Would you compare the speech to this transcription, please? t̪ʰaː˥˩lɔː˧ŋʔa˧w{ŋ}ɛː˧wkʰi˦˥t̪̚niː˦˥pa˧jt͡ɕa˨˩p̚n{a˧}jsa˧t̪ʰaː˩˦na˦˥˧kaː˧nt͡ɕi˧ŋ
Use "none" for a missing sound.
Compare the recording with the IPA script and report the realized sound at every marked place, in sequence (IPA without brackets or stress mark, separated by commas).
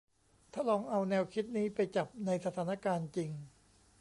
n, a˧